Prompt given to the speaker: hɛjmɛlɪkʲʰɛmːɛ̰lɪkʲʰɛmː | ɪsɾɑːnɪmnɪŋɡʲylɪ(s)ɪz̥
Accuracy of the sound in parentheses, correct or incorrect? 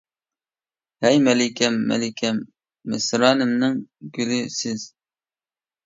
correct